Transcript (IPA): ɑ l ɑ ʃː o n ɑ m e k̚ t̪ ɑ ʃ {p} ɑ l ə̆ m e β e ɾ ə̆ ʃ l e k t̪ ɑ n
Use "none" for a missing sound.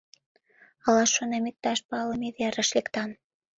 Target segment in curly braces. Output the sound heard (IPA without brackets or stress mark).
p